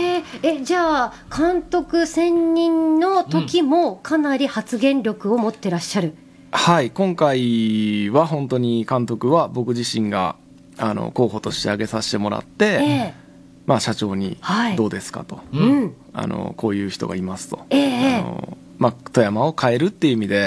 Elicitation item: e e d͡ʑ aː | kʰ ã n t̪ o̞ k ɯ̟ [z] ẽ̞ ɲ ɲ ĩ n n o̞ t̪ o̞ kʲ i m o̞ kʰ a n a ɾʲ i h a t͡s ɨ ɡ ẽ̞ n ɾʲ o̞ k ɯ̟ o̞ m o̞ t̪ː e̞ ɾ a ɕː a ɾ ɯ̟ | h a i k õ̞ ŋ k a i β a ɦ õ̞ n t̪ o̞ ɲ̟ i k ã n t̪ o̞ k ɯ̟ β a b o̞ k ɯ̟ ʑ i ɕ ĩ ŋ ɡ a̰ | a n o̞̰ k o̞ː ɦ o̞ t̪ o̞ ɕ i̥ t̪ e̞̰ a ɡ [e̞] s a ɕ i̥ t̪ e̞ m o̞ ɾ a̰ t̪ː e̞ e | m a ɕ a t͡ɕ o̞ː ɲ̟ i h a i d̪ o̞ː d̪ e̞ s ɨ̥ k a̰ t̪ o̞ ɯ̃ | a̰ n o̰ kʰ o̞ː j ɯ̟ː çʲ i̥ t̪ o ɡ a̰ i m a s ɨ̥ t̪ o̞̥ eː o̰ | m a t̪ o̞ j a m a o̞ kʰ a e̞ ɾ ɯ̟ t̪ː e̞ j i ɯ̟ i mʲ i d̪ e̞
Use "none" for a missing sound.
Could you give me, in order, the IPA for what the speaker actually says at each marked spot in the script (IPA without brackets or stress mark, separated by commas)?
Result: s, e̞